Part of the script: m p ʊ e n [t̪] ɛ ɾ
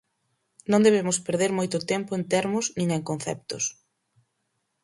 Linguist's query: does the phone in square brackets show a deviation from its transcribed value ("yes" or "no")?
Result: no